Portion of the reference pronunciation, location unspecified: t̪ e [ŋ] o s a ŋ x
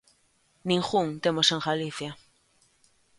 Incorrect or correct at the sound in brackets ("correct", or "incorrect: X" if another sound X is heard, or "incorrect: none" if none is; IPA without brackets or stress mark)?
incorrect: m